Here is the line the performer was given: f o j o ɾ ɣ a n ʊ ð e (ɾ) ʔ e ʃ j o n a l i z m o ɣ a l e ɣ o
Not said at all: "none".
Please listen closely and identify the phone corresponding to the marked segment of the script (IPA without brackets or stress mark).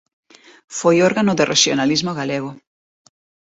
r